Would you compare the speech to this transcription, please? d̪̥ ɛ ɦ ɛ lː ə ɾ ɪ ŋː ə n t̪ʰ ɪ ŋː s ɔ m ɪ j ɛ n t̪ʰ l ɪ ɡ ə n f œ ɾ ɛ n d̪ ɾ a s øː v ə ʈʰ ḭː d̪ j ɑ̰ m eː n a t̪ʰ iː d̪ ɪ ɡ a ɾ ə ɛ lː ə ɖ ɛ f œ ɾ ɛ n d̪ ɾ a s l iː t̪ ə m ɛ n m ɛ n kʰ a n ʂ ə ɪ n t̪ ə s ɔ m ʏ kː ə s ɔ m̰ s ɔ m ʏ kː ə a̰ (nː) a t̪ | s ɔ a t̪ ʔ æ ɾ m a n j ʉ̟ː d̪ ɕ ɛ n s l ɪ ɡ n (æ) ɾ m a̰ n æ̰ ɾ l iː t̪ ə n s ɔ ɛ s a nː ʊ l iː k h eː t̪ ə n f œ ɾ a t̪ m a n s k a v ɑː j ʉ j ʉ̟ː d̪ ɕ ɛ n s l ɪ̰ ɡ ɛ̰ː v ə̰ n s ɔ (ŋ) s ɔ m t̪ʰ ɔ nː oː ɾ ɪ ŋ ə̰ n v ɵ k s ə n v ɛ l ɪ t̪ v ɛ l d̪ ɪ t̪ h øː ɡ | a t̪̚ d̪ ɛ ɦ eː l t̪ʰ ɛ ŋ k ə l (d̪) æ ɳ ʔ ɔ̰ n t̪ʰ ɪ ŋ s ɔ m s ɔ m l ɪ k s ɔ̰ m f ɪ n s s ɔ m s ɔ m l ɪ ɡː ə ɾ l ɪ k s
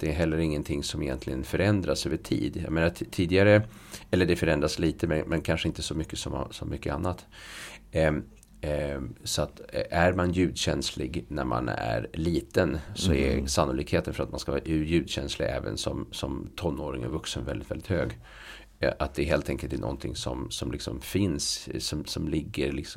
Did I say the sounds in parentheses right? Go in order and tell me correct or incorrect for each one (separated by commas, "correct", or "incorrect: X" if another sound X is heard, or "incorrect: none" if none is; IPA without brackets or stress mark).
correct, correct, incorrect: m, incorrect: t̪